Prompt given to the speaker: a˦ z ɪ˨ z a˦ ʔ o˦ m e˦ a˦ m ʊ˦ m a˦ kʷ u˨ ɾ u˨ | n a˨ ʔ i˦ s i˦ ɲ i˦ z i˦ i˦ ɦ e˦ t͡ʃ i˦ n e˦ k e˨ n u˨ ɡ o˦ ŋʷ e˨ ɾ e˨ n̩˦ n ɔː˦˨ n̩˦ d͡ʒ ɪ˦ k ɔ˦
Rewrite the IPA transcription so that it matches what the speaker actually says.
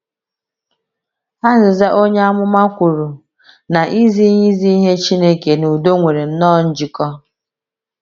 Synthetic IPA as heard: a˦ z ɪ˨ z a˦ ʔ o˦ ɲ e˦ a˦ m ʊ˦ m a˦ kʷ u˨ ɾ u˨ | n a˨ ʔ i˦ z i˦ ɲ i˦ z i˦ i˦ ɦ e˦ t͡ʃ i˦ n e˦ k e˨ n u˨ d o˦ ŋʷ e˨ ɾ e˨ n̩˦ n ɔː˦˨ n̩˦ d͡ʒ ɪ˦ k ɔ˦

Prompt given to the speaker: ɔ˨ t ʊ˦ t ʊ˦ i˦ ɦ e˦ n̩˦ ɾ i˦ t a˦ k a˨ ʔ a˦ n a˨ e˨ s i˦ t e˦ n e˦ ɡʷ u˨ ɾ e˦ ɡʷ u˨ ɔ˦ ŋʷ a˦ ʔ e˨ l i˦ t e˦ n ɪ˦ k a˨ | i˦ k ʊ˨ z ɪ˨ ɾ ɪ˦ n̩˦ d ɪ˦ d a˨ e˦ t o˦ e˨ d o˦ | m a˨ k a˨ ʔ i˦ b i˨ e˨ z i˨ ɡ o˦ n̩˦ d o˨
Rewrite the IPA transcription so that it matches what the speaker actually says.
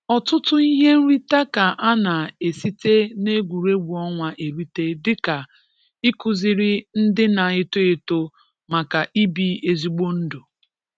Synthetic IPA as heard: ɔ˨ t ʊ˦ t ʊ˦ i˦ ɦ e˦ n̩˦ ɾ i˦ t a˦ k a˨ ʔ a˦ n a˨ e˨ s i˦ t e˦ n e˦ ɡʷ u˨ ɾ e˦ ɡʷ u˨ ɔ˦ ŋʷ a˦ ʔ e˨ ɾ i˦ t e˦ d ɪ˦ k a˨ | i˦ k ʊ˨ z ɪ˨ ɾ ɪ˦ n̩˦ d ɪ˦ n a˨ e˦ t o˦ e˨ t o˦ | m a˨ k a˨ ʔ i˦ b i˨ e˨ z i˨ ɡ͡b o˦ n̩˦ d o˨

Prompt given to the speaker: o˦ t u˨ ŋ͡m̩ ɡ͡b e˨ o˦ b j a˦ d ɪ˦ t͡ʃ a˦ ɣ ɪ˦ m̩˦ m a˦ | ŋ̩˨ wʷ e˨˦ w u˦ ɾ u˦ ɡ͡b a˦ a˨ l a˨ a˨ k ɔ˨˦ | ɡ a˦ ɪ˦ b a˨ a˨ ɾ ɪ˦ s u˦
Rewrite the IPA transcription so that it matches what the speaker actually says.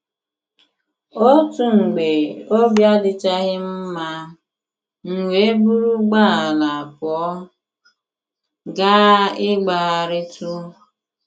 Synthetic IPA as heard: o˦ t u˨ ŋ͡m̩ ɡ͡b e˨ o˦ b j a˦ d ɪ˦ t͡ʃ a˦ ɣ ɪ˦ m̩˦ m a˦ | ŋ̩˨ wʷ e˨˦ b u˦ ɾ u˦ ɡ͡b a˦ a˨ l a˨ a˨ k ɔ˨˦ | ɡ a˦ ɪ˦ ɡ͡b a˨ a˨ ɾ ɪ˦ t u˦

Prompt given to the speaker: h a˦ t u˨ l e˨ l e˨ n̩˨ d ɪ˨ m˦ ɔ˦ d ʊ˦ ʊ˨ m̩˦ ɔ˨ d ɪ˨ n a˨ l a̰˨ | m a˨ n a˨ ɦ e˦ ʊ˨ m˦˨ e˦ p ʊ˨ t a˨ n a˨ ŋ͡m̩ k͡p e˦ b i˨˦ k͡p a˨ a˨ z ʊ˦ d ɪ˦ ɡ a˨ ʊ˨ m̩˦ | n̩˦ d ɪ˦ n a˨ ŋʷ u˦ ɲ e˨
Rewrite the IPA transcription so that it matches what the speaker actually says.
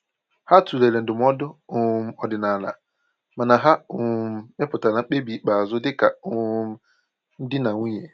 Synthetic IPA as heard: h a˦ t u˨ l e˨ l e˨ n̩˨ d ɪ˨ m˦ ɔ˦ d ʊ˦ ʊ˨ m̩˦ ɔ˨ d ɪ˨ n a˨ l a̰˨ | m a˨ n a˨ ɦ a˦ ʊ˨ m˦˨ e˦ p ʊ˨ t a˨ n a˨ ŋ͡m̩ k͡p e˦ b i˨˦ k͡p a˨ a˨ z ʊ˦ d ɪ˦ k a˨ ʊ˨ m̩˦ | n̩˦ d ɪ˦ n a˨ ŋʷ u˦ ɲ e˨

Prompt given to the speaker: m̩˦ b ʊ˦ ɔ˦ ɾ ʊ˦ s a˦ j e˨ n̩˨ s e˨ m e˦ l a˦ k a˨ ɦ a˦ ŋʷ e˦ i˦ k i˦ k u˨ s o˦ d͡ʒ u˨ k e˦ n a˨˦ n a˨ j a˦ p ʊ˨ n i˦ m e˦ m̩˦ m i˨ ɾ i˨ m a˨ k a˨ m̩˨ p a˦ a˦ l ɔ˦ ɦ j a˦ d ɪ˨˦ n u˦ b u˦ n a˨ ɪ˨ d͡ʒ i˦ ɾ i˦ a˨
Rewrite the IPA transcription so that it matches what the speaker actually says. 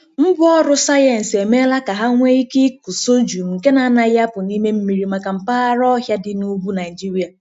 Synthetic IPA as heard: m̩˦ b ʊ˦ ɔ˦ ɾ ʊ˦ s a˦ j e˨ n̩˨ s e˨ m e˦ l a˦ k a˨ ɦ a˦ ŋʷ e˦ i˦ k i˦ k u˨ s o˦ d͡ʒ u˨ k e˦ n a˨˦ n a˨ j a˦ p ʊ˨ n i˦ m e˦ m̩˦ m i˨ ɾ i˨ m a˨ k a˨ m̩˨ p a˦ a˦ ɾ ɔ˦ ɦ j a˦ d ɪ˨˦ n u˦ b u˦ n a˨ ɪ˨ d͡ʒ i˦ ɾ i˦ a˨

